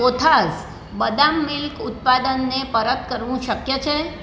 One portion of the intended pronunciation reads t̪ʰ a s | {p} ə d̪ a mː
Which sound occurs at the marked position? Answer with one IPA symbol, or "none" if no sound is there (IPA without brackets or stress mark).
b